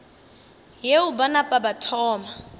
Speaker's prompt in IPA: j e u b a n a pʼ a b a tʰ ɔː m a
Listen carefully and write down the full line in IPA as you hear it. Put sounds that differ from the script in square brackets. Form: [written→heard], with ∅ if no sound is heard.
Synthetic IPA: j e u b a n a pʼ a b a tʰ ɔː m a